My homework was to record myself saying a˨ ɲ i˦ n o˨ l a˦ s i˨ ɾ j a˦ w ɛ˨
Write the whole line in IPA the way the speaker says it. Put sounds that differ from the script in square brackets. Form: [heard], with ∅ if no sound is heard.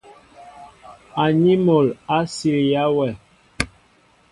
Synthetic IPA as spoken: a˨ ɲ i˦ [m] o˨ l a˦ s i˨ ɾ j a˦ w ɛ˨